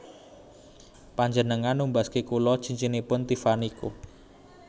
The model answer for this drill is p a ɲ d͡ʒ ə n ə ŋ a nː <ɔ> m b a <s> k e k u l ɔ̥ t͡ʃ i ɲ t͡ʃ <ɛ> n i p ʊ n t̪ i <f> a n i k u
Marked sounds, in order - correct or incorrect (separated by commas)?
incorrect, correct, incorrect, correct